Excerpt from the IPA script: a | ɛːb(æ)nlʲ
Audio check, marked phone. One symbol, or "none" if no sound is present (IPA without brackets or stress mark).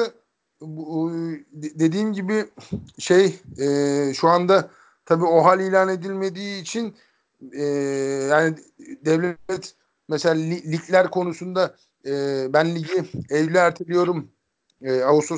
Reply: æ